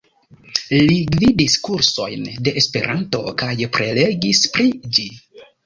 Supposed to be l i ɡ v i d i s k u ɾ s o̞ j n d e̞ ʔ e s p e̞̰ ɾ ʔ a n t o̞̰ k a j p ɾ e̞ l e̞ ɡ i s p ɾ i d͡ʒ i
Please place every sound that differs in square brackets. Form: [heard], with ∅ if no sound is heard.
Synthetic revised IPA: l i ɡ v i d i s k u ɾ s o̞ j n d e̞ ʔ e s p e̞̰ ɾ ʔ a n t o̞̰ k a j p ɾ e̞ l e̞ ɡ i s p ɾ i d͡ʒ i